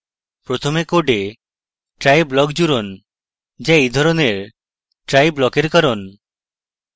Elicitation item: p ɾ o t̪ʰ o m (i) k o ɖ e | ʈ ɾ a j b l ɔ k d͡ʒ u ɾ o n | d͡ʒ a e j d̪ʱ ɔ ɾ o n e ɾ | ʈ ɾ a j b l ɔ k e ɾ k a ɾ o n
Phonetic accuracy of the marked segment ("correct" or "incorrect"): incorrect